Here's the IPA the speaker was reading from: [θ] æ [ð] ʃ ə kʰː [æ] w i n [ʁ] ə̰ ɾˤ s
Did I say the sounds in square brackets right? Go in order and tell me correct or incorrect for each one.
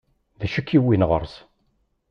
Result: incorrect: ð, incorrect: none, incorrect: i, correct

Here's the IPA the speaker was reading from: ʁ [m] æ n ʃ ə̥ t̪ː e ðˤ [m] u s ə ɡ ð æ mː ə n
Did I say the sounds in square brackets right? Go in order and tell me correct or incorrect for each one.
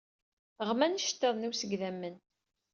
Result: correct, incorrect: n

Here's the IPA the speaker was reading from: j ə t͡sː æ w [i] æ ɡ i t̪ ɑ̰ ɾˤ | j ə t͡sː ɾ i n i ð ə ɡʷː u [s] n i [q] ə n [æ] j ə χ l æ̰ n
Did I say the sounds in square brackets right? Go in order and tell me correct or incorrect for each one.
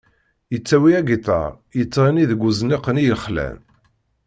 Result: correct, incorrect: z, correct, incorrect: i

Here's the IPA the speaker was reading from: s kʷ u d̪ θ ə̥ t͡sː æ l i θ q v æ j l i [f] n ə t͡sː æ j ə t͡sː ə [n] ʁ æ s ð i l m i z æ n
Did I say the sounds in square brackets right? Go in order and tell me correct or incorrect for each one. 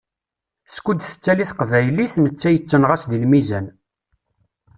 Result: incorrect: θ, correct

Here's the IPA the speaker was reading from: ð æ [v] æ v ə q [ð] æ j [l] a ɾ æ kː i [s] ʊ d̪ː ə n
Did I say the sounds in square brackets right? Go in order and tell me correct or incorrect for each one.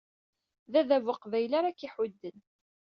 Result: incorrect: ð, incorrect: v, correct, incorrect: ħ

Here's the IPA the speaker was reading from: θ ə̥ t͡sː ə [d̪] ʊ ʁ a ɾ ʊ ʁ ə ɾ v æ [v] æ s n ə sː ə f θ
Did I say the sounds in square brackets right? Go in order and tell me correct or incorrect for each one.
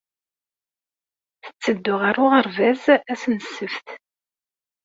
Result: incorrect: d̪ː, incorrect: z

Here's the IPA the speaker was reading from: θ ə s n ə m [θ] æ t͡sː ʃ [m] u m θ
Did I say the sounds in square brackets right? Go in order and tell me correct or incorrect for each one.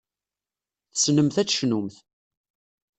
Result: correct, incorrect: n

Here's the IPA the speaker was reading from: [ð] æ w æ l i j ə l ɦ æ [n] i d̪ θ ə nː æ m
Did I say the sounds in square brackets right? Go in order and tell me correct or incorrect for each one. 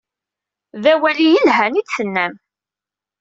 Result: correct, correct

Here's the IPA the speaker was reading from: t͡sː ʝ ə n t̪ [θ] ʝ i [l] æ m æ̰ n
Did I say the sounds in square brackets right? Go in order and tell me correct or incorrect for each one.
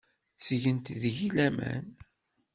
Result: incorrect: ð, correct

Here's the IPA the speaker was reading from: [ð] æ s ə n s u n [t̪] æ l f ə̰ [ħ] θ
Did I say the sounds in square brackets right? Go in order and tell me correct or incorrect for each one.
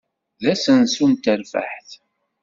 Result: correct, correct, correct

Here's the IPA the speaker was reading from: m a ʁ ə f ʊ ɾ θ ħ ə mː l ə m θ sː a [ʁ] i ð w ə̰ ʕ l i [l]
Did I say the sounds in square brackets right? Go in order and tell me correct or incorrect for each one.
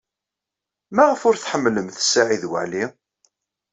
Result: incorrect: ʕ, incorrect: none

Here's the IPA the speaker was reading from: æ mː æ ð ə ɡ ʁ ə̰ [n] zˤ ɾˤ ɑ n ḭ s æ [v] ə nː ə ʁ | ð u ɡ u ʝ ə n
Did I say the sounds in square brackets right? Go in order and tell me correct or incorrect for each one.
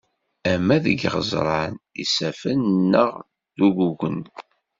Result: incorrect: none, incorrect: f

